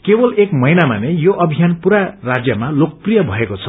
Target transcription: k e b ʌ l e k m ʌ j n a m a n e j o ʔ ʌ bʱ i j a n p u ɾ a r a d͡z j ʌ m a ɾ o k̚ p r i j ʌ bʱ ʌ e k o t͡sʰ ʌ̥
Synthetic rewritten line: k e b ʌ l e k m ʌ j n a m a n e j o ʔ ʌ bʱ i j a n p u ɾ a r a d͡z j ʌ m a l o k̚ p r i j ʌ bʱ ʌ e k o t͡sʰ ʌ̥